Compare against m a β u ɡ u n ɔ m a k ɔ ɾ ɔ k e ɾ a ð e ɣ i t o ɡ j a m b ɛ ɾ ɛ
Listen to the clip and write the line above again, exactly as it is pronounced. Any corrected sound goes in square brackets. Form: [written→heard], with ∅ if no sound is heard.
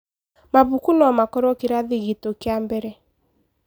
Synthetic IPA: m a β u [ɡ→k] u n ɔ m a k ɔ ɾ ɔ k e ɾ a ð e ɣ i t o [ɡ→k] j a m b ɛ ɾ ɛ